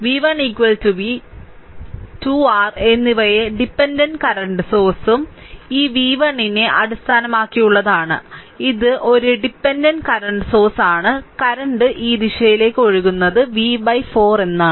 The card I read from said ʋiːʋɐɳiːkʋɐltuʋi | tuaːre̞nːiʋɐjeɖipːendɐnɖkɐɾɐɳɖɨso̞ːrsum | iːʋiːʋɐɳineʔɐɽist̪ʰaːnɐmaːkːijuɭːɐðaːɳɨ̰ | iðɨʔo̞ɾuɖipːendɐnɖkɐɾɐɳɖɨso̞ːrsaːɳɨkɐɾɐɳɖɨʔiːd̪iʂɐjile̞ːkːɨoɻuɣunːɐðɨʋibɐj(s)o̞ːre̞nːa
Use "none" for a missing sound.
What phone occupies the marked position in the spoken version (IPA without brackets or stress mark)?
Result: f